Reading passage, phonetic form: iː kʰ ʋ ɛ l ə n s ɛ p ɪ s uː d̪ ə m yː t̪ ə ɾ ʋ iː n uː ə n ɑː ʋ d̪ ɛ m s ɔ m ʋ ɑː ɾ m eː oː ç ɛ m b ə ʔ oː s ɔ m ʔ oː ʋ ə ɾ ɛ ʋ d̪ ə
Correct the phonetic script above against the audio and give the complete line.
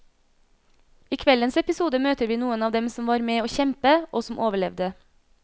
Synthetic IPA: iː kʰ ʋ ɛ l ə n s ɛ p ɪ s uː d̪ ə m øː t̪ ə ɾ ʋ iː n uː ə n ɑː ʋ d̪ ɛ m s ɔ m ʋ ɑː ɾ m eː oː ç ɛ m p ə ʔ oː s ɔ m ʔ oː ʋ ə ɭ ɛ ʋ d̪ ə